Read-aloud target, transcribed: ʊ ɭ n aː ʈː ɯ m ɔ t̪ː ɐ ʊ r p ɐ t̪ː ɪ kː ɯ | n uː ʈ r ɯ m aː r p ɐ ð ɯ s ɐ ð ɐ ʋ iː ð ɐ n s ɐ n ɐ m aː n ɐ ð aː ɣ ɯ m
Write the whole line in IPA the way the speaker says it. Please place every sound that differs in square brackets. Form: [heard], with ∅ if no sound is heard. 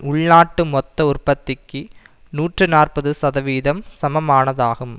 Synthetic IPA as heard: ʊ ɭ n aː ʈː ɯ m ɔ t̪ː ɐ ʊ r p ɐ t̪ː ɪ kː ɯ | n uː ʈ r ɯ [n] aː r p ɐ ð ɯ s ɐ ð ɐ ʋ iː ð ɐ [m] s ɐ [m] ɐ m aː n ɐ ð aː ɣ ɯ m